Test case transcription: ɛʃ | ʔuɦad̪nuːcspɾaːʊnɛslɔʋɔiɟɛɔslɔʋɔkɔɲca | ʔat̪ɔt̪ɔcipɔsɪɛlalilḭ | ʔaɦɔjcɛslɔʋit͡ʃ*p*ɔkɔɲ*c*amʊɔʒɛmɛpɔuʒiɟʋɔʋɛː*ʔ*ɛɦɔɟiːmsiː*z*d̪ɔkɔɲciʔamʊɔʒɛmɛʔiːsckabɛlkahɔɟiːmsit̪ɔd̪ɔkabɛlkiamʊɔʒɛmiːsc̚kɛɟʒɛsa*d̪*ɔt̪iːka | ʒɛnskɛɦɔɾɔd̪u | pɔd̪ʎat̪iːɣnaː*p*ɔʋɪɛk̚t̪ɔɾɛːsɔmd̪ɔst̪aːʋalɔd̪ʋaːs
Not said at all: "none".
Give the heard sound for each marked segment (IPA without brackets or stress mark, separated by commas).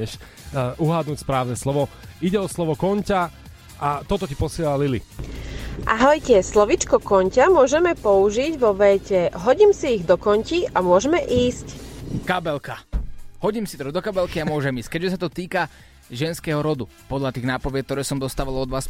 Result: k, c, c, ɣ, t̪, p